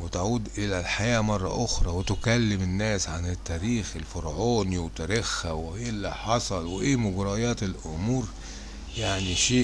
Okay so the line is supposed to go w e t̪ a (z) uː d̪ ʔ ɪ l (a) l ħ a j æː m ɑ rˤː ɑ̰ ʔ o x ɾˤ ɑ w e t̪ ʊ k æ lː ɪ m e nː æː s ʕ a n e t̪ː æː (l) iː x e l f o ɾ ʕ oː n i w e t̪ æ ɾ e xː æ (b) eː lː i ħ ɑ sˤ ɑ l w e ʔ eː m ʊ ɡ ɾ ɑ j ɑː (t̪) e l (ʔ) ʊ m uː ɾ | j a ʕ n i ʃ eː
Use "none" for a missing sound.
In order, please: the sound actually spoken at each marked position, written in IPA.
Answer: ʕ, æ, ɾ, w, t̪, ʔ

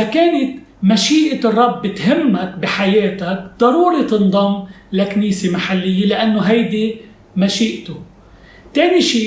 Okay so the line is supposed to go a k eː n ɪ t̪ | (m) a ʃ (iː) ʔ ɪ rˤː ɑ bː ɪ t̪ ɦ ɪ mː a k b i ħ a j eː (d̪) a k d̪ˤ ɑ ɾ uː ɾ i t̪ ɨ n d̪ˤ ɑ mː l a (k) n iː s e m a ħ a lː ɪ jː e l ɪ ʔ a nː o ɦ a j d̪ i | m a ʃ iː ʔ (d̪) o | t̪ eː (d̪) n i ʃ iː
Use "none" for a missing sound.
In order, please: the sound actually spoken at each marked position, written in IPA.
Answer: m, iː, t̪, k, t̪, none

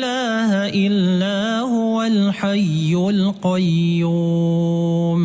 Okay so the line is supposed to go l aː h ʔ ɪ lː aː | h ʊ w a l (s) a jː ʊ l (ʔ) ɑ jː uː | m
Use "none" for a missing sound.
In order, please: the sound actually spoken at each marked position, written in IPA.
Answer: ħ, q

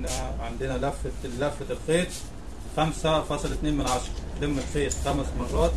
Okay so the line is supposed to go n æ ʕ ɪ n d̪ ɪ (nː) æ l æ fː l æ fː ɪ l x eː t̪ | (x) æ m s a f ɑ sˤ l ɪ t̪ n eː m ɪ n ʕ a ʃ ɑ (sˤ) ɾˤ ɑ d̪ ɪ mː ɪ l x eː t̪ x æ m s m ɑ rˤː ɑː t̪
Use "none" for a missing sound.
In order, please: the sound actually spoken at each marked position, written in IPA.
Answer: n, x, none

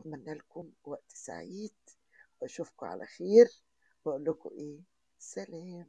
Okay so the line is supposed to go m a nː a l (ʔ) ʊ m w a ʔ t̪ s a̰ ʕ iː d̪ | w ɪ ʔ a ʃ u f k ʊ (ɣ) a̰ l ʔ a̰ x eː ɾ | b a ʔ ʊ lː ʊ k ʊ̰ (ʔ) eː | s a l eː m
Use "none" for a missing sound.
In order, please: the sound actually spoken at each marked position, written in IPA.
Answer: k, ʕ, ʔ

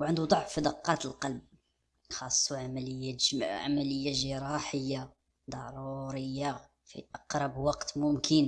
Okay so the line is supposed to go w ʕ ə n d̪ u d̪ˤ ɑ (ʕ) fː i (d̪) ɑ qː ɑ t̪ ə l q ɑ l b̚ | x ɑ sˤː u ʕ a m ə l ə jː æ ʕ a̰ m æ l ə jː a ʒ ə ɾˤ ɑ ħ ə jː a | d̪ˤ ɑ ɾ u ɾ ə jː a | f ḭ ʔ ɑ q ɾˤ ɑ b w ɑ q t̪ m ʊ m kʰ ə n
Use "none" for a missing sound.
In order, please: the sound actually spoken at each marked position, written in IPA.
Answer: ʕ, d̪

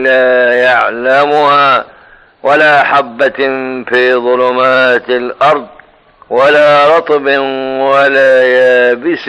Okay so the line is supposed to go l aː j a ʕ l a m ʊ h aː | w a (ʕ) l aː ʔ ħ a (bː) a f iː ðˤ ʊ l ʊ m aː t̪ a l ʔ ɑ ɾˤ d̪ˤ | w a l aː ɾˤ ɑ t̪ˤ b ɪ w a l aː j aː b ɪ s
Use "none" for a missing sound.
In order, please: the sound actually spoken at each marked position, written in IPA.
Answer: none, bː

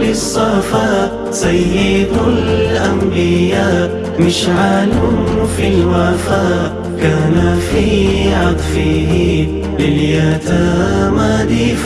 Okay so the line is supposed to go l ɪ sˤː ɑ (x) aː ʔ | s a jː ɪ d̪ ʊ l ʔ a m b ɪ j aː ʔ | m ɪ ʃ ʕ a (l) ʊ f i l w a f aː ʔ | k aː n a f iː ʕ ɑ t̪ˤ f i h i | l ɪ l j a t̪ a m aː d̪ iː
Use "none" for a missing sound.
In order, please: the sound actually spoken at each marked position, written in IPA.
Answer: f, l

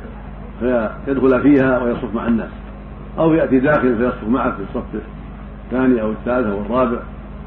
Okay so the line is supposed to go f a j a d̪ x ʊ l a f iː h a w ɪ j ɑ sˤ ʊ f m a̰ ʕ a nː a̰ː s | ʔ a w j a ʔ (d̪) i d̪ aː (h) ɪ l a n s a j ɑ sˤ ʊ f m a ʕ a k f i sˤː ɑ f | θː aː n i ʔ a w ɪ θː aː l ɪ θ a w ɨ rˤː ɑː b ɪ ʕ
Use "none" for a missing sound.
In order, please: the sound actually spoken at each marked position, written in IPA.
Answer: t̪, x

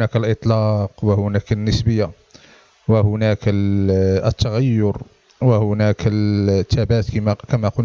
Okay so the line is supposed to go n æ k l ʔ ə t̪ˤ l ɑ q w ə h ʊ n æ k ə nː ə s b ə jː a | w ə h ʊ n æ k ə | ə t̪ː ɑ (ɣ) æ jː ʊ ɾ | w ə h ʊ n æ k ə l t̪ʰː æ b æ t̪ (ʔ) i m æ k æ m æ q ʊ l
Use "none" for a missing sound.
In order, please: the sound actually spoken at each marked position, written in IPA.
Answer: ɣ, k

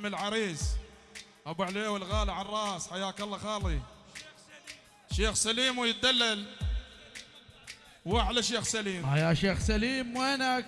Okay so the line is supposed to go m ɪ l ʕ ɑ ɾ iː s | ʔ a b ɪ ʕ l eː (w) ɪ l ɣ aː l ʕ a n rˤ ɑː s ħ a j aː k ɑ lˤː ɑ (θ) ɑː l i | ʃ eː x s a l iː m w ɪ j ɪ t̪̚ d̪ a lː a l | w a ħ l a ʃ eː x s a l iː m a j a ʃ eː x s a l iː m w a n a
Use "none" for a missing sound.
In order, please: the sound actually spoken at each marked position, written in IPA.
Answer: w, x

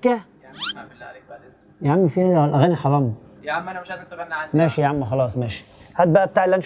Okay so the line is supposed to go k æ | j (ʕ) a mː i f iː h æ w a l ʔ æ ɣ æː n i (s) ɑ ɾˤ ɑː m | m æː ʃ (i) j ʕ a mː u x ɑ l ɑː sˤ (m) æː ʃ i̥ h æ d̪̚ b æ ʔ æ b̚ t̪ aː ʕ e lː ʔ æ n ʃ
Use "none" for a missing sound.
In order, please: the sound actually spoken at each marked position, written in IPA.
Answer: ʕ, ħ, i, m

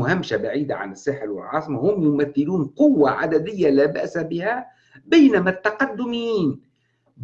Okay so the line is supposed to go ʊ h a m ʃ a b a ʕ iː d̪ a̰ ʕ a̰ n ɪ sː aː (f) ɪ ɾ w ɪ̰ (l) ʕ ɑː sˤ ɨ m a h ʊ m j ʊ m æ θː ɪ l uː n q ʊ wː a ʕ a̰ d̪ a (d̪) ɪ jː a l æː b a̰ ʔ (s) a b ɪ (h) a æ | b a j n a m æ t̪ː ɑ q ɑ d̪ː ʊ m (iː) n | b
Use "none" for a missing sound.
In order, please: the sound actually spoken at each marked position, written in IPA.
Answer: ħ, l, d̪, s, h, iː

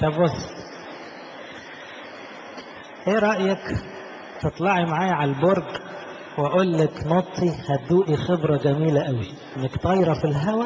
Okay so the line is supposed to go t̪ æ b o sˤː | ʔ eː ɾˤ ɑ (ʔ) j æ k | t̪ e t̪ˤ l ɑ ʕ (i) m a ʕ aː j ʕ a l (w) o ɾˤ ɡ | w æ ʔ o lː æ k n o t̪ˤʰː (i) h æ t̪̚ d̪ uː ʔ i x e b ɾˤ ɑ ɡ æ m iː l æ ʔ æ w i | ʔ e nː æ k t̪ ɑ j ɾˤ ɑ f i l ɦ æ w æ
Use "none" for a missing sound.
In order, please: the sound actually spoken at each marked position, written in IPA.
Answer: ʔ, i, b, i

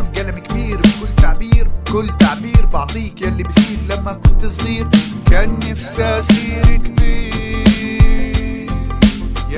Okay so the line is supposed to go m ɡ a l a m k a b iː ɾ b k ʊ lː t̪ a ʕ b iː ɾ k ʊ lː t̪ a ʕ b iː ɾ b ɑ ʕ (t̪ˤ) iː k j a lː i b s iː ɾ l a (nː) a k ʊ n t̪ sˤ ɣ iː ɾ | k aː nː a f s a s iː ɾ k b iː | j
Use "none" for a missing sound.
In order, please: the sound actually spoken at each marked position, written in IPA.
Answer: t̪ˤ, mː

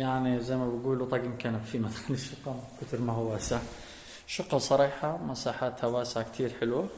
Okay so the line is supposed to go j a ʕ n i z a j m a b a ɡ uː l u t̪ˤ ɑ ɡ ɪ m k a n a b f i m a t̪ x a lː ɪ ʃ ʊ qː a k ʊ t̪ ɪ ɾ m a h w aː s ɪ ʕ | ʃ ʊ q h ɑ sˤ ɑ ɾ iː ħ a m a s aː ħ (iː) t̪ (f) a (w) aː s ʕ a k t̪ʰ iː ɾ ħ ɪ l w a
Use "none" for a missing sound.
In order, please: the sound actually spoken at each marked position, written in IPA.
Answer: aː, h, w

